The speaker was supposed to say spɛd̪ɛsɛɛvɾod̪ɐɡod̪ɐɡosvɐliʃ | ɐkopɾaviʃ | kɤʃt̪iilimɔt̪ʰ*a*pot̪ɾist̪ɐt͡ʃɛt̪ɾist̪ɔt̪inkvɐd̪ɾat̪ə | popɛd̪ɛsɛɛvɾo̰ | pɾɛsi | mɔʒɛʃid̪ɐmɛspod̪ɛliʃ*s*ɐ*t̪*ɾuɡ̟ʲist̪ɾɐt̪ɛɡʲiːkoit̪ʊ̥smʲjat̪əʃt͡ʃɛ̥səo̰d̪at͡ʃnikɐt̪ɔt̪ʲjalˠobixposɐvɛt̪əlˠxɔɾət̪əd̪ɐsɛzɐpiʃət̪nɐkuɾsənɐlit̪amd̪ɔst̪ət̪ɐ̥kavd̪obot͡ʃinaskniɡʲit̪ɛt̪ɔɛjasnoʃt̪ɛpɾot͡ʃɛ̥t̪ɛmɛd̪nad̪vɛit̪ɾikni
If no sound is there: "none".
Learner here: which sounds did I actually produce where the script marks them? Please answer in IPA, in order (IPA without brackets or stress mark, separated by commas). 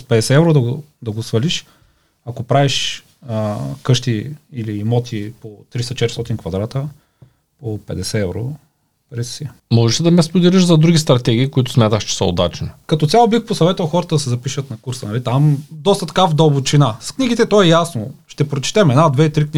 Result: i, z, d̪